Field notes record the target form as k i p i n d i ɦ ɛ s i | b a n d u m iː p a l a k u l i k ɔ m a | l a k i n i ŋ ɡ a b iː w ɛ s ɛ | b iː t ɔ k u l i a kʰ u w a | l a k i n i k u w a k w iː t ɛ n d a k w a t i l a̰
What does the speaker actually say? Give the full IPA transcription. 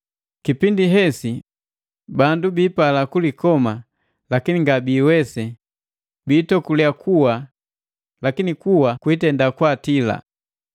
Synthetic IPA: k i p i n d i ɦ ɛ s i | b a n d u b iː p a l a k u l i k ɔ m a | l a k i n i ŋ ɡ a b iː w ɛ s ɛ | b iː t ɔ k u l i a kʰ u w a | l a k i n i k u w a k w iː t ɛ n d a k w a t i l a̰